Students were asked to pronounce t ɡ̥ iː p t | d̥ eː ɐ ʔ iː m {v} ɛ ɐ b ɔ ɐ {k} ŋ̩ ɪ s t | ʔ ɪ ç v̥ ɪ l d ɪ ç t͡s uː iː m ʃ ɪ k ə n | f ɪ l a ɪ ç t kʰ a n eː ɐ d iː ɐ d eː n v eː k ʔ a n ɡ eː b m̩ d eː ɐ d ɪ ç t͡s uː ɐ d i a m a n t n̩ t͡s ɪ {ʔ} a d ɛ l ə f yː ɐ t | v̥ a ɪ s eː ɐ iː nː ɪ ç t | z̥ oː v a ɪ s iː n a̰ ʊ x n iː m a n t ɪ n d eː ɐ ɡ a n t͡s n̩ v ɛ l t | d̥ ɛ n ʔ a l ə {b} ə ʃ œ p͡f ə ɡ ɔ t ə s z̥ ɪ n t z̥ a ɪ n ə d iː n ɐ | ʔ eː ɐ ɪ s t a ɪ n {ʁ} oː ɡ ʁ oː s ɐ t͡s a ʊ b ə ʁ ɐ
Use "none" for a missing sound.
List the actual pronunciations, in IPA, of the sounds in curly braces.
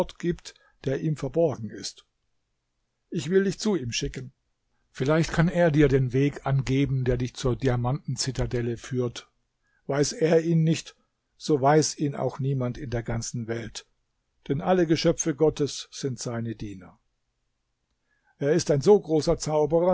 f, ɡ, t, ɡ, z

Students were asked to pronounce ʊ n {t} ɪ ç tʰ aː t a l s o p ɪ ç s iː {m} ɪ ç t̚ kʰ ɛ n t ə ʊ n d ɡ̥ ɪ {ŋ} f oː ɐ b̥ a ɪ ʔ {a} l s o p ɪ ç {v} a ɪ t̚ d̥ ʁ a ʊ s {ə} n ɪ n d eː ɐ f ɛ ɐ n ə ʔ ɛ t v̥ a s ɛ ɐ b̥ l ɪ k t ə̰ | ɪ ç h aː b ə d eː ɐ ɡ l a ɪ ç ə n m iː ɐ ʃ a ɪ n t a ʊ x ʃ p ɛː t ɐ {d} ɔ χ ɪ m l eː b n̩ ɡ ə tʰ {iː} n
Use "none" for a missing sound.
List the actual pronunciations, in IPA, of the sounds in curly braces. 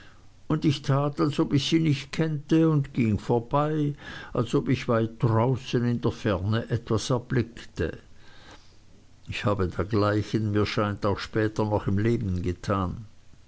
d, n, ŋ, a, v, ə, n, aː

